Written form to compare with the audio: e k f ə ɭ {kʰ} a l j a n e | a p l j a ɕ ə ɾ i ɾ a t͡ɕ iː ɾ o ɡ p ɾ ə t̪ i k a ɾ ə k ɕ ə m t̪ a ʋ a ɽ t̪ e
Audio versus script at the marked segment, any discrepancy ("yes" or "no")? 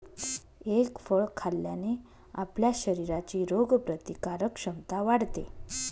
no